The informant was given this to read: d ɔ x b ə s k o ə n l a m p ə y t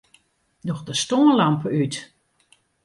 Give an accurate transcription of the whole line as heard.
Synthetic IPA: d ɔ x d ə s t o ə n l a m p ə y t

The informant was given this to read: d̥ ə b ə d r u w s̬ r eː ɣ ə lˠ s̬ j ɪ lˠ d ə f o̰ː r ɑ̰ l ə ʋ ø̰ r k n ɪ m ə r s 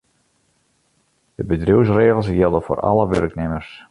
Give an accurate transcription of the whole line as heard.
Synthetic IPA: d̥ ə b ə d r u w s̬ r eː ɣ ə lˠ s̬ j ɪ lˠ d ə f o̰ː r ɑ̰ l ə ʋ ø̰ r k n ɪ m ə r s

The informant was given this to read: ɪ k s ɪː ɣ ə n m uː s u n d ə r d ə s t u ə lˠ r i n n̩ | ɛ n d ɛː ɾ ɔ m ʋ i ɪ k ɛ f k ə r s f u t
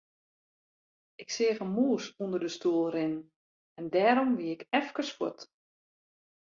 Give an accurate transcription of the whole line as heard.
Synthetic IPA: ɪ k s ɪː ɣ ə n m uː s u n d ə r d ə s t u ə lˠ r ɪ n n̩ | ɛ n d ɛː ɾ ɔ m ʋ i ɪ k ɛ f k ə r s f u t

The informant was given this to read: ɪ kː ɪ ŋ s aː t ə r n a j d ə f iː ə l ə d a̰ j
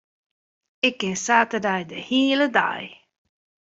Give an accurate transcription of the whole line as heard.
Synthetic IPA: ɪ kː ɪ n s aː t ə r d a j d ə h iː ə l ə d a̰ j

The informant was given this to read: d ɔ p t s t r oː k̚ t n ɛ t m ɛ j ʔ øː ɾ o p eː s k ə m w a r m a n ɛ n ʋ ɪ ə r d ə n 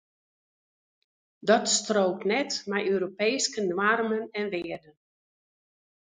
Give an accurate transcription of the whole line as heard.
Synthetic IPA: d ɔ t s t r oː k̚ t n ɛ t m ɛ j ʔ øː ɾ o p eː s k ə n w a r m ə n ɛ n ʋ ɪ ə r d ə n

